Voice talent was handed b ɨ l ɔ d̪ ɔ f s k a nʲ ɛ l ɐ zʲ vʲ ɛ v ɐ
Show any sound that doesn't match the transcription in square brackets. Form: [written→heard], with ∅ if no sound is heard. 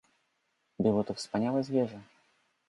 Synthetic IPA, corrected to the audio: b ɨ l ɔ [d̪→t̪] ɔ f s [k→p] a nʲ [ɛ→a] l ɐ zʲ vʲ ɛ [v→ʐ] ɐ